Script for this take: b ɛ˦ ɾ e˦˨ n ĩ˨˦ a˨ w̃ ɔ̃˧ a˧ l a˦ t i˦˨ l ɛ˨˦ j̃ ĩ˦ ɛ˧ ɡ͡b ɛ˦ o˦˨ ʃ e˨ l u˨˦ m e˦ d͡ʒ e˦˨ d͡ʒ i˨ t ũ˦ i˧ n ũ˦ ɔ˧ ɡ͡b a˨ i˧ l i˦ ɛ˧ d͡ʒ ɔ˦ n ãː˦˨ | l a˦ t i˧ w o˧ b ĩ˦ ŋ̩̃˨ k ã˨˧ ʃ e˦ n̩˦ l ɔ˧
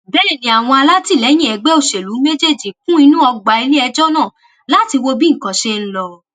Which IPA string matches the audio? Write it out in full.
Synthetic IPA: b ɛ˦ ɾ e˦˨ n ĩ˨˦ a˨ w̃ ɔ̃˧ a˧ l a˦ t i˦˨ l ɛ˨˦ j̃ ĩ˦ ɛ˧ ɡ͡b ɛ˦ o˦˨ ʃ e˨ l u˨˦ m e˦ d͡ʒ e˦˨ d͡ʒ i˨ k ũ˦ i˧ n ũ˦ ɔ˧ ɡ͡b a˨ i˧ l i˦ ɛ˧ d͡ʒ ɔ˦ n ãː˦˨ | l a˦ t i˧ w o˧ b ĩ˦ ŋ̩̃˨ k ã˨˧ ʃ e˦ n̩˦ l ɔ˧